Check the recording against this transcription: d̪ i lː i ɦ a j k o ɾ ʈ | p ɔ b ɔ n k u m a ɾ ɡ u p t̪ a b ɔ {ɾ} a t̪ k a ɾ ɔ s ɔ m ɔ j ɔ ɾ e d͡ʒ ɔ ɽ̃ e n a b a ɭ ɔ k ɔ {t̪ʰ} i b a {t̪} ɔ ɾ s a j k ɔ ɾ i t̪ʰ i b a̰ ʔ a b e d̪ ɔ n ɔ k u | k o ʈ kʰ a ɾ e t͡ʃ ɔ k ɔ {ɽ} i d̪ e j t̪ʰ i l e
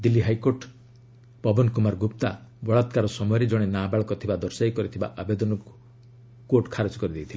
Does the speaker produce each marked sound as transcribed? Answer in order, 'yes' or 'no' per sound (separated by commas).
no, yes, no, no